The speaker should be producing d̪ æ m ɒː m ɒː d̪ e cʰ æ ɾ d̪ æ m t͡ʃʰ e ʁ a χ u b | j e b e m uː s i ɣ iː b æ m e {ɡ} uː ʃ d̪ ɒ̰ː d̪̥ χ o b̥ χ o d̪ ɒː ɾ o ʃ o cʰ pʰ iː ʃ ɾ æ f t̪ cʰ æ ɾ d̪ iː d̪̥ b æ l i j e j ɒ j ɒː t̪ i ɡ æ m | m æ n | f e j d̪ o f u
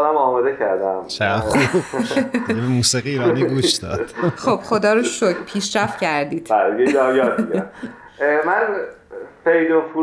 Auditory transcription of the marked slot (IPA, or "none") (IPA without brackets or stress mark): ɡ